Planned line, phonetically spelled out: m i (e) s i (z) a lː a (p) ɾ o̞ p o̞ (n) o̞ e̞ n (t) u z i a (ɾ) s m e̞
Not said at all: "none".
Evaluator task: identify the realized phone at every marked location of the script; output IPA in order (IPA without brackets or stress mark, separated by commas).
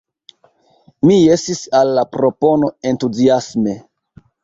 e, s, p, n, t, none